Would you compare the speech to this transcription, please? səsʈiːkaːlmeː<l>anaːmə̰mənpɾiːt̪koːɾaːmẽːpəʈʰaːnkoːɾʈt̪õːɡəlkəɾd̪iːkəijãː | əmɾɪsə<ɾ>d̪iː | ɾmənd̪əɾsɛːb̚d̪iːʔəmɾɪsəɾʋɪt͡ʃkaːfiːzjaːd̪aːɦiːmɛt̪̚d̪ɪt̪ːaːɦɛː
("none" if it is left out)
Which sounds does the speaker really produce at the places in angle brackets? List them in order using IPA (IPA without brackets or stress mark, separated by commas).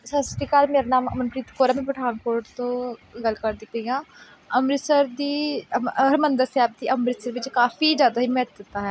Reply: ɾ, ɾ